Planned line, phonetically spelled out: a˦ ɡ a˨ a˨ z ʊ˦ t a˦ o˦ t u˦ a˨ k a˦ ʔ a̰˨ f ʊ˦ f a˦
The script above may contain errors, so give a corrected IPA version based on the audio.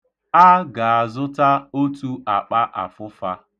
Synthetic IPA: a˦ ɡ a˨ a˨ z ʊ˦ t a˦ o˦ t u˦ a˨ k͡p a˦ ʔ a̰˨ f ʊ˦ f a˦